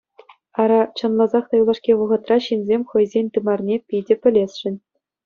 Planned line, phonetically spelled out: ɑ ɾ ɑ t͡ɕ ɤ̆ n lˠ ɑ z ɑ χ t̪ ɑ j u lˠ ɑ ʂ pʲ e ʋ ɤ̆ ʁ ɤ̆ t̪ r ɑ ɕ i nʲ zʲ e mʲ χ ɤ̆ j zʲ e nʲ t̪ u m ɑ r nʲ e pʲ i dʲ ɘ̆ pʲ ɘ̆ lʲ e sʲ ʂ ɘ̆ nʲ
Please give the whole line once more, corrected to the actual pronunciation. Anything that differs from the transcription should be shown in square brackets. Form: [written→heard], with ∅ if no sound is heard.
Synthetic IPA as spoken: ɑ ɾ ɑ t͡ɕ ɤ̆ n lˠ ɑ z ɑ χ t̪ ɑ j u lˠ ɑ ʂ [pʲ→kʲ] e ʋ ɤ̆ ʁ ɤ̆ t̪ r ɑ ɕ i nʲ zʲ e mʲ χ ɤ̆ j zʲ e nʲ t̪ [u→ɯ] m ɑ r nʲ e pʲ i dʲ ɘ̆ pʲ ɘ̆ lʲ e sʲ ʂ ɘ̆ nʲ